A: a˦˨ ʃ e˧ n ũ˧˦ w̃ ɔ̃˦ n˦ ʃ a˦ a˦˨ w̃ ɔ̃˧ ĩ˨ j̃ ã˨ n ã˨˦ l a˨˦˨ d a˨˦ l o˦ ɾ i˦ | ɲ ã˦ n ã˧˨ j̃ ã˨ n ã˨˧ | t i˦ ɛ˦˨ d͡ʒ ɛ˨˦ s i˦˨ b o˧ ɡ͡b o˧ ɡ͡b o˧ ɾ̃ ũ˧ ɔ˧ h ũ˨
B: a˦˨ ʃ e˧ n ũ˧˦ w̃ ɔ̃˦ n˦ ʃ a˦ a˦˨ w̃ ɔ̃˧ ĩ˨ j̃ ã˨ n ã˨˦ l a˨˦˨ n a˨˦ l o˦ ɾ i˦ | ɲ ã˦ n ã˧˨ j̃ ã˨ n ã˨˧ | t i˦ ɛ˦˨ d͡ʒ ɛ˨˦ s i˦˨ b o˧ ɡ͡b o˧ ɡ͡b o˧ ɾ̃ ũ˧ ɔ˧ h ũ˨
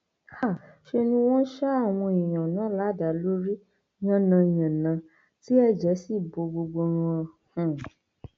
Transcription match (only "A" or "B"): A